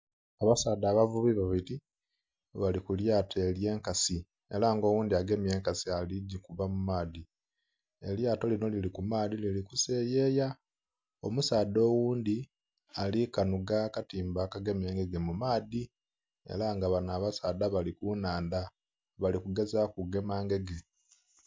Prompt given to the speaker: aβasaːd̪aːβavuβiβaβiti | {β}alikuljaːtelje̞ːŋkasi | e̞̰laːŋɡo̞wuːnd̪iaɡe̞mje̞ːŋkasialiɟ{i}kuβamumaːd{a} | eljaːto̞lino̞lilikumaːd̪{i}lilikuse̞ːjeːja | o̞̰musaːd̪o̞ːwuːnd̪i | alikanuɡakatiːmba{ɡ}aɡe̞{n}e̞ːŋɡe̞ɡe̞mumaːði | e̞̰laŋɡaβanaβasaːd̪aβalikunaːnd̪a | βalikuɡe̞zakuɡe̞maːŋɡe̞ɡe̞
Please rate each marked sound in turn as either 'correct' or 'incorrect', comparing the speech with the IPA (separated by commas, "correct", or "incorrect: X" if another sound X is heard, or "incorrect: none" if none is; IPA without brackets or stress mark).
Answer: correct, correct, incorrect: i, correct, incorrect: k, incorrect: m